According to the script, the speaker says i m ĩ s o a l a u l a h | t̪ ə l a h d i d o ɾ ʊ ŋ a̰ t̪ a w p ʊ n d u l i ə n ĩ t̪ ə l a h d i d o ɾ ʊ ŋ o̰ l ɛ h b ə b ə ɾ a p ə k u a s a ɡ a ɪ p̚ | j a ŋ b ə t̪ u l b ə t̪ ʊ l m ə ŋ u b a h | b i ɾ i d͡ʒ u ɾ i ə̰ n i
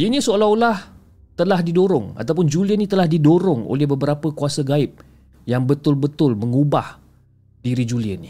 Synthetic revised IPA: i n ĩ s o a l a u l a h | t̪ ə l a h d i d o ɾ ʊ ŋ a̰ t̪ a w p ʊ n d͡ʒ u l i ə n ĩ t̪ ə l a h d i d o ɾ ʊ ŋ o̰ l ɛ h b ə b ə ɾ a p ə k u a s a ɡ a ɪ p̚ | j a ŋ b ə t̪ ʊ l b ə t̪ ʊ l m ə ŋ u b a h | d i ɾ i d͡ʒ u l i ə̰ n i